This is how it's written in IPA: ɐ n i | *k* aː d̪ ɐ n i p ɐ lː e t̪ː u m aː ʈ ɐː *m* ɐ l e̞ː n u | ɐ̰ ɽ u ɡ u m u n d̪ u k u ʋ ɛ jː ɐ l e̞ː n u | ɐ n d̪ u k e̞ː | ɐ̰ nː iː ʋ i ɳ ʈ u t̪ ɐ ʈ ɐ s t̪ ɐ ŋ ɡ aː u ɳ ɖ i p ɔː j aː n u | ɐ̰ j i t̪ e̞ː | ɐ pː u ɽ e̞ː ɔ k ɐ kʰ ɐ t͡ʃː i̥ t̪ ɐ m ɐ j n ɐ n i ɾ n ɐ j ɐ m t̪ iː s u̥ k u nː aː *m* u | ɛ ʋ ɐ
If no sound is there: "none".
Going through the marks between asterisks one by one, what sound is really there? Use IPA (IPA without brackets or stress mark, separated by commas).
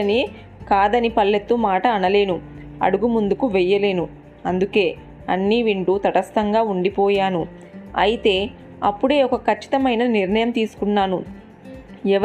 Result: k, n, n